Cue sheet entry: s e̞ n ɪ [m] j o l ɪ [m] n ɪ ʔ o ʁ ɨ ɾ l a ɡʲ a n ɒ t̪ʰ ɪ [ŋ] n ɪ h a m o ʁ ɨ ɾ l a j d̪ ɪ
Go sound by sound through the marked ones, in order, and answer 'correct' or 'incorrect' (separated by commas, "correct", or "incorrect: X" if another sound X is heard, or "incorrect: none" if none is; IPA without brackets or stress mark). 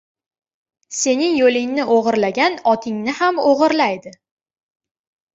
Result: incorrect: ŋ, incorrect: ŋ, correct